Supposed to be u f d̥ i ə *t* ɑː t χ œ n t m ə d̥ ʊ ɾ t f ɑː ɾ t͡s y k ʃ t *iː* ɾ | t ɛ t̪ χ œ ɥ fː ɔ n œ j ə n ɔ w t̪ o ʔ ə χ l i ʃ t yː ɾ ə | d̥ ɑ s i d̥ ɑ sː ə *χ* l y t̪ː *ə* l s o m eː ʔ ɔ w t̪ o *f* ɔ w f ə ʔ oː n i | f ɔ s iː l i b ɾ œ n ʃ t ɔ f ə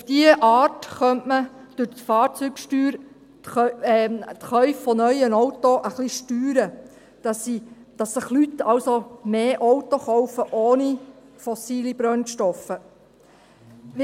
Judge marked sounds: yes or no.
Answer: no, no, yes, no, no

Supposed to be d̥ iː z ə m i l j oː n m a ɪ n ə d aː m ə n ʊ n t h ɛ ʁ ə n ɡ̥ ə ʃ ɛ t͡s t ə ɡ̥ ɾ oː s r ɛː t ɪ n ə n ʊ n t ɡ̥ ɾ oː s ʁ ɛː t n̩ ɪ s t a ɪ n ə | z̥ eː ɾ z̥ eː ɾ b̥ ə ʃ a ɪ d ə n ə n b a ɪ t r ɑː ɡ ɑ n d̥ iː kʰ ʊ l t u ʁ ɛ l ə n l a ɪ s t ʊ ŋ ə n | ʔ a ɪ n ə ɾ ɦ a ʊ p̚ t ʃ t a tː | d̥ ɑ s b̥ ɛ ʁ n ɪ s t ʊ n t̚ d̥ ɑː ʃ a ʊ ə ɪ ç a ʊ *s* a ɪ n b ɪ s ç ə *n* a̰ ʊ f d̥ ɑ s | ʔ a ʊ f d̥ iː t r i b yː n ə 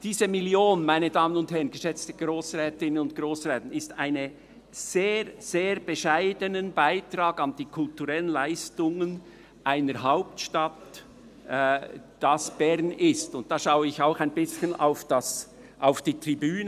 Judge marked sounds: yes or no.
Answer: no, yes

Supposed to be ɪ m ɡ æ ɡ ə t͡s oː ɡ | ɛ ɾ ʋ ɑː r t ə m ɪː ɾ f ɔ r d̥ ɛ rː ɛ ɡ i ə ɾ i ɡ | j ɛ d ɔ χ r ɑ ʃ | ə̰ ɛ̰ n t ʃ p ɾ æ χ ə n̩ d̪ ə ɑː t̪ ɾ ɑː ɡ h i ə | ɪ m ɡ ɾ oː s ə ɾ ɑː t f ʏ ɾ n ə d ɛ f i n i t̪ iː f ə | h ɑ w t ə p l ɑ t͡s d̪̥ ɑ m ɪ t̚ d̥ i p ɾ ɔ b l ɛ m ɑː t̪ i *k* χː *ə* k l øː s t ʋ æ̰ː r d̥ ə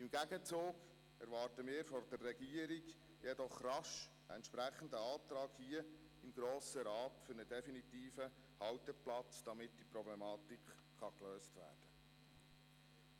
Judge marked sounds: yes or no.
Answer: yes, no

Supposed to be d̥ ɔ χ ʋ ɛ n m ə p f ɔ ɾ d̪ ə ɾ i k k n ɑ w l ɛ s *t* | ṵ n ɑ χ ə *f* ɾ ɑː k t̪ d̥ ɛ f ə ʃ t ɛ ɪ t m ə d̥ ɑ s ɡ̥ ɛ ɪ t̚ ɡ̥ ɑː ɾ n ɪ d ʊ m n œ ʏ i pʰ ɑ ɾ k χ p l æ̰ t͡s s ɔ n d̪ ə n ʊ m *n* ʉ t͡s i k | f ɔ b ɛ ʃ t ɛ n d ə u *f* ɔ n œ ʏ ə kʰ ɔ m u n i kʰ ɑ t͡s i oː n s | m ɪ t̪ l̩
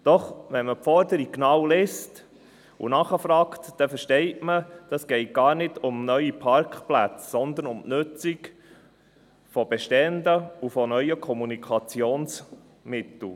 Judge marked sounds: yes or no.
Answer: yes, yes, yes, yes

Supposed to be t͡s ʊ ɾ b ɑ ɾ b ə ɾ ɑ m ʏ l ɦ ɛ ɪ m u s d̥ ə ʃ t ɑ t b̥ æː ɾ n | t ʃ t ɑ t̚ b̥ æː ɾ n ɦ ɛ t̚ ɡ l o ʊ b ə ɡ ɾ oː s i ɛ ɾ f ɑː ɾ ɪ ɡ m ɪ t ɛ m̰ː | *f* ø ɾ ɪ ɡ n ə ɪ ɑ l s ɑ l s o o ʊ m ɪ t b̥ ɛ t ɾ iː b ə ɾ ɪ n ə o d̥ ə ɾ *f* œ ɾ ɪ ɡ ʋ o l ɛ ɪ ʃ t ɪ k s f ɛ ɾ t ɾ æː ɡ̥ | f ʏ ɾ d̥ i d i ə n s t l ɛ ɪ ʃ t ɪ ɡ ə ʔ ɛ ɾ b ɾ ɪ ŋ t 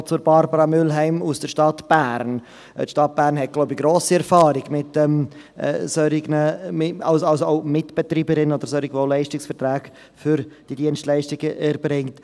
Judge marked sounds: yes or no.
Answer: no, no

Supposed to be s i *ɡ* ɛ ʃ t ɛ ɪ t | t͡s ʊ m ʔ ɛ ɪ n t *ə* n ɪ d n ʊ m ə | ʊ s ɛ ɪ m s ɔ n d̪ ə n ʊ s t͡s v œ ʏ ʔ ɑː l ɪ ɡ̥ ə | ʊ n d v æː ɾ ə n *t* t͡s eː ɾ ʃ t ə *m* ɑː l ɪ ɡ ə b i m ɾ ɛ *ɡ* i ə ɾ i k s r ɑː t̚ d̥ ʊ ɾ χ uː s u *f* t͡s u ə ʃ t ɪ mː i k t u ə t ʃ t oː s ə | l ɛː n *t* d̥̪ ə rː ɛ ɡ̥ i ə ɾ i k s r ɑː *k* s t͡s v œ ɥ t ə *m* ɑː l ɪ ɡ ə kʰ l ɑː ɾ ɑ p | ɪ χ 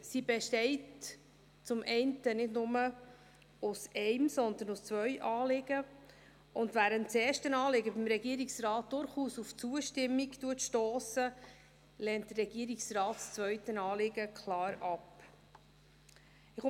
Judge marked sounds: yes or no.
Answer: no, yes, yes, no, yes, yes, yes, no, no

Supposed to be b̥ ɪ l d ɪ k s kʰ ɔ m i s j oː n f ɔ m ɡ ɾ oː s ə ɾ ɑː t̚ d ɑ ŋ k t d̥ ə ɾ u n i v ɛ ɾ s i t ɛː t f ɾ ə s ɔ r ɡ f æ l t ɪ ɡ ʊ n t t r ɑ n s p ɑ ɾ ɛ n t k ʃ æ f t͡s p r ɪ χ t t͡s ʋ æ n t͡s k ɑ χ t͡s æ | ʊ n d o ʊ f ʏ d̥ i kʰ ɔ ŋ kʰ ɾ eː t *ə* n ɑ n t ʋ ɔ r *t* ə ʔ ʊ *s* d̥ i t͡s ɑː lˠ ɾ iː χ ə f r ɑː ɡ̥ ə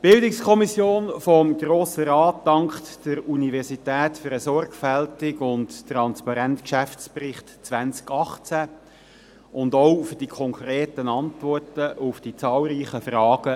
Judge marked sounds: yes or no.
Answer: yes, yes, no

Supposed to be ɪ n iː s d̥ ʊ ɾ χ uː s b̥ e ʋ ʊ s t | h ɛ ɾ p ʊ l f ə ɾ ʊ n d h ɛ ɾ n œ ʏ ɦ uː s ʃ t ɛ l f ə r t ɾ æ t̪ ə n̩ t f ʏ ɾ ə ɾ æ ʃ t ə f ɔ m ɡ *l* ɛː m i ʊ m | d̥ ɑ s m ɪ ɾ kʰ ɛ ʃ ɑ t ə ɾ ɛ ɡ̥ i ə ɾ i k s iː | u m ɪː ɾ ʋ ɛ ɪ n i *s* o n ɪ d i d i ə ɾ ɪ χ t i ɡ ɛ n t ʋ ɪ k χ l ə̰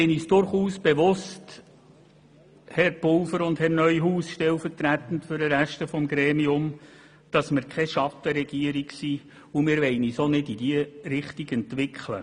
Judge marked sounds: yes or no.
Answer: no, yes

